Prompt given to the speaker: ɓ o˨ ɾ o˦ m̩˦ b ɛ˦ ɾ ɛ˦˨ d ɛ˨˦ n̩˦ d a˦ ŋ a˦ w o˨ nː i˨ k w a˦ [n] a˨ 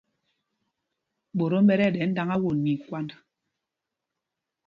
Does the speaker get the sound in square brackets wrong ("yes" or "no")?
no